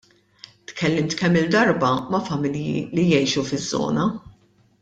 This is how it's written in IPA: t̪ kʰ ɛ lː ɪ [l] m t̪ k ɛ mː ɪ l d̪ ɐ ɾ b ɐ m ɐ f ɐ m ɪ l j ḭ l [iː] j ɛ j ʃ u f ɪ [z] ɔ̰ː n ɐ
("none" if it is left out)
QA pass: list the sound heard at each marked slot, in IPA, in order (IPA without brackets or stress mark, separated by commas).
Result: none, i, zː